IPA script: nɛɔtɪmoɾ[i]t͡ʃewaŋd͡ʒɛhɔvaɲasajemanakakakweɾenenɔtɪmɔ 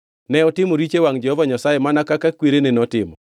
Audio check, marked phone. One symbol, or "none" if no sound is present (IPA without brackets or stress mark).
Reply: i